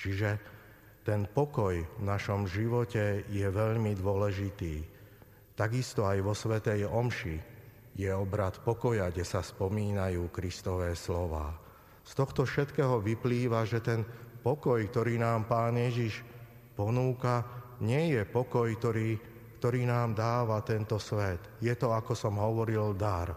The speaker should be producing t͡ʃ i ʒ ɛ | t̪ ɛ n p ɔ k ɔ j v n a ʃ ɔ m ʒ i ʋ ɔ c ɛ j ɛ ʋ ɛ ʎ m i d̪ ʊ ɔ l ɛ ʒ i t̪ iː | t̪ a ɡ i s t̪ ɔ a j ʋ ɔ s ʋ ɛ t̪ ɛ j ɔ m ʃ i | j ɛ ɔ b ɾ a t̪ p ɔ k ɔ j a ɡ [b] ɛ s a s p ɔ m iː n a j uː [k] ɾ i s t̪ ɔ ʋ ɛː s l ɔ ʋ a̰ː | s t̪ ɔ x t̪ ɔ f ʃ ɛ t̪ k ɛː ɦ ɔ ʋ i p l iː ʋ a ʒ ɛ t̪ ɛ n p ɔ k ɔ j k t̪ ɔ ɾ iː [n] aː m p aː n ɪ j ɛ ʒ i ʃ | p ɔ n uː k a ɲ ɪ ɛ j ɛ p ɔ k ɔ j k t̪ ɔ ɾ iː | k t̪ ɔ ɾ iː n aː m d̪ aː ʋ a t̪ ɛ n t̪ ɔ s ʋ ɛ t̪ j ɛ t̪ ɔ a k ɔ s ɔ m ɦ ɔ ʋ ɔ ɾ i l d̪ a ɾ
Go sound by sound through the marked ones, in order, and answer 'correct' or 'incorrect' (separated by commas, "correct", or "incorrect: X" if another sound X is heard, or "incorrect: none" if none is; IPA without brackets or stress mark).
incorrect: ɟ, correct, correct